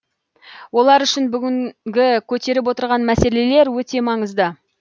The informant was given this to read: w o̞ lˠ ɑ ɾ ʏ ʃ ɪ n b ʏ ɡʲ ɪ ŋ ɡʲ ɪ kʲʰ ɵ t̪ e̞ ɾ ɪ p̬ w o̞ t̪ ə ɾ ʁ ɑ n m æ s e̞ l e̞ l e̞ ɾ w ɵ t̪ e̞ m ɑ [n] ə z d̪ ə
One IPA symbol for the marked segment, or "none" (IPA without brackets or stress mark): ɴ